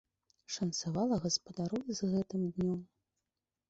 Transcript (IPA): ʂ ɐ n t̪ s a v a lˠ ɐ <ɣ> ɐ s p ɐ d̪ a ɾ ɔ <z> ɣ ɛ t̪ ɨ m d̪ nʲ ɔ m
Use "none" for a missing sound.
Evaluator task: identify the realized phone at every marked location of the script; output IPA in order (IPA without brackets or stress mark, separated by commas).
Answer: ɣ, z